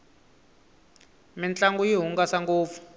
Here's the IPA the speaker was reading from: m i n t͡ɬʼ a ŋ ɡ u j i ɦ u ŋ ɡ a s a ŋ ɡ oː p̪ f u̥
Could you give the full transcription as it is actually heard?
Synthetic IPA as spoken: m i n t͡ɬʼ a ŋ ɡ u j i ɦ u ŋ ɡ a s a ŋ ɡ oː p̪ f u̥